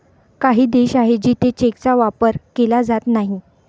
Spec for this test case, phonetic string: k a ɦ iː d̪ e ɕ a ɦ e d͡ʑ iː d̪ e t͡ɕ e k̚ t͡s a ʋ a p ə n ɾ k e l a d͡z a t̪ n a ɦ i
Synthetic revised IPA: k a ɦ iː d̪ e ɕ a ɦ e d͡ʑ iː t̪ e t͡ɕ e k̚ t͡s a ʋ a p ə ɾ k e l a d͡z a t̪ n a ɦ i